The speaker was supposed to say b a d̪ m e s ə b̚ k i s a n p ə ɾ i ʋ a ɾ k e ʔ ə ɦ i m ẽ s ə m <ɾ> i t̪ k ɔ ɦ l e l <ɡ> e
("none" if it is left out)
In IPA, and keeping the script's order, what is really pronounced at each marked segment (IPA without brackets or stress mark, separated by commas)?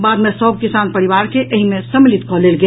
l, ɡ